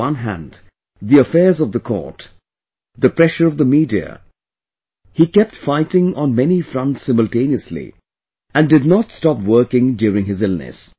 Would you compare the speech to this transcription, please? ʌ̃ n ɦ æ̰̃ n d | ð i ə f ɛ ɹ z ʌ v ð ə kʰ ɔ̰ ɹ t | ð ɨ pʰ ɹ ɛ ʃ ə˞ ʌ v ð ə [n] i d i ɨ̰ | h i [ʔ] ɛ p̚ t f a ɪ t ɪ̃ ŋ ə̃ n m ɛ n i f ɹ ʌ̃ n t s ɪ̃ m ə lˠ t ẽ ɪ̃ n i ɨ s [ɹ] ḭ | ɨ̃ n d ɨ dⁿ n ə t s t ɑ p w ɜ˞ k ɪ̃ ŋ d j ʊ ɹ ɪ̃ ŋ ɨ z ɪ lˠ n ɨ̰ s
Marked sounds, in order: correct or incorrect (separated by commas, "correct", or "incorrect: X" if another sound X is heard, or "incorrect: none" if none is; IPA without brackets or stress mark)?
incorrect: m, incorrect: k, incorrect: l